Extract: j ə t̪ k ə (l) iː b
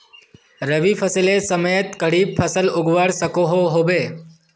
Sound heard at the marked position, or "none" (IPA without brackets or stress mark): ɽ